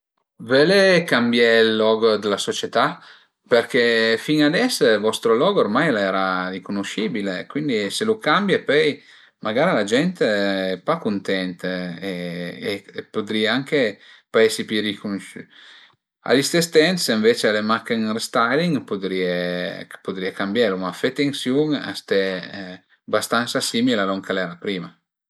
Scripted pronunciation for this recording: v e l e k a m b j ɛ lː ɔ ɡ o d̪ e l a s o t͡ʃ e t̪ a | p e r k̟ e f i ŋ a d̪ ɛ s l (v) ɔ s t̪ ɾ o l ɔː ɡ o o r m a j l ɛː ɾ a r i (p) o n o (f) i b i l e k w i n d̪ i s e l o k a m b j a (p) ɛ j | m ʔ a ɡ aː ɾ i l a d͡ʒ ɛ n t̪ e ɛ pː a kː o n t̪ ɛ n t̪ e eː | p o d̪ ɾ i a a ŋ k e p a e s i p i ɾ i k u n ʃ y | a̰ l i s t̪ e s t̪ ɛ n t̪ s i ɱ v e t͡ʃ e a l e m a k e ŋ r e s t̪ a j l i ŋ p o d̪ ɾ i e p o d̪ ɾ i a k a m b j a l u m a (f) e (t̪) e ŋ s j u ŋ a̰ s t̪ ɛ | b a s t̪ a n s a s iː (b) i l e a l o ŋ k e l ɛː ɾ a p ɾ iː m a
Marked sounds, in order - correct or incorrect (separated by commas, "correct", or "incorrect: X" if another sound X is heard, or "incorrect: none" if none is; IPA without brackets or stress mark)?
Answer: correct, incorrect: k, incorrect: ʃ, correct, correct, correct, incorrect: m